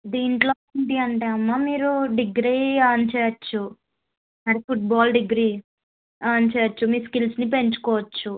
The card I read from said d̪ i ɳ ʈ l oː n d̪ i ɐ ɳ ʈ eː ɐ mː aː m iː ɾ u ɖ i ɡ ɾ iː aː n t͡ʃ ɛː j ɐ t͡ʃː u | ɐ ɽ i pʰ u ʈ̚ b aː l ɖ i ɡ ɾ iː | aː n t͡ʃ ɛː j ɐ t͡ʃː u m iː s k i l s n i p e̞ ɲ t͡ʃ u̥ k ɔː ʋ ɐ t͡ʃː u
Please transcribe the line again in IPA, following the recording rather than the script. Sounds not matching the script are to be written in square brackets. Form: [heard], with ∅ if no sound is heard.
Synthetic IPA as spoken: d̪ [iː] ɳ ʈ l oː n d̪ i ɐ ɳ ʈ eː ɐ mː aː m iː ɾ u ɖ i ɡ ɾ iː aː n t͡ʃ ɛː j ɐ t͡ʃː u | ɐ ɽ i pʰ u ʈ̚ b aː l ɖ i ɡ ɾ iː | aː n t͡ʃ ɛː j ɐ t͡ʃː u m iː s k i l s n i p e̞ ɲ t͡ʃ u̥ k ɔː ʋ ɐ t͡ʃː u